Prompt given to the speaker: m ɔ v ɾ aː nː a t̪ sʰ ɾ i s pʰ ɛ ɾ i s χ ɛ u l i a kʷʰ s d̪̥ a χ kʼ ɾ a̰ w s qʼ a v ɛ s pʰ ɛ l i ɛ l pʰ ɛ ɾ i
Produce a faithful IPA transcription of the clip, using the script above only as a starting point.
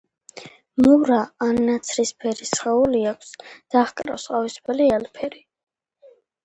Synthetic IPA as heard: m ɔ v ɾ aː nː a t̪ sʰ ɾ i s pʰ ɛ ɾ i s χ ɛ u l i a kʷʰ s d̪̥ a χ kʼ ɾ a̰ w s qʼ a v i s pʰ ɛ l i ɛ l pʰ ɛ ɾ i